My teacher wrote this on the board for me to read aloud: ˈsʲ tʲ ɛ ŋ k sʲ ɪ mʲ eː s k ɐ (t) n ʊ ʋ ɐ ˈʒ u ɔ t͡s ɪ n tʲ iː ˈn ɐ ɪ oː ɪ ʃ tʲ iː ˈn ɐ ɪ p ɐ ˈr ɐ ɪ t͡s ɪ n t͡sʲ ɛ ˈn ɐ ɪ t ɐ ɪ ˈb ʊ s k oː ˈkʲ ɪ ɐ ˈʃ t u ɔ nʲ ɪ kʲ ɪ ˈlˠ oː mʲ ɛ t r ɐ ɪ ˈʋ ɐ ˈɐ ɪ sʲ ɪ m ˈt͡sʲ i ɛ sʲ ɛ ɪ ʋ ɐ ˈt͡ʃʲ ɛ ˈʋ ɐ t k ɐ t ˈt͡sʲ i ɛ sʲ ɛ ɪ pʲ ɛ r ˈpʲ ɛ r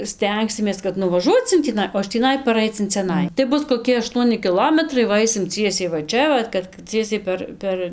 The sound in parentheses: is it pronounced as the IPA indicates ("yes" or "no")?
yes